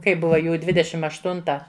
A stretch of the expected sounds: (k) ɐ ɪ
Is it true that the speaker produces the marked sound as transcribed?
yes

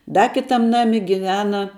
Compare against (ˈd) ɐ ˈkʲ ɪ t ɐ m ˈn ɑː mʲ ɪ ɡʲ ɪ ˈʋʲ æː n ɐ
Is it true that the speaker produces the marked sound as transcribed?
yes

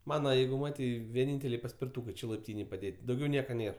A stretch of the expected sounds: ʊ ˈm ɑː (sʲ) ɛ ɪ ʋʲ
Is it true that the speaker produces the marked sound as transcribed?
no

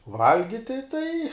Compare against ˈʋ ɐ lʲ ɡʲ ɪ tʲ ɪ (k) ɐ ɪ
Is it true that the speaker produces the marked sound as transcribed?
no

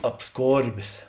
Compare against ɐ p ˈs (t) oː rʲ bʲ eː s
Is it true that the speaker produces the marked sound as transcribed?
no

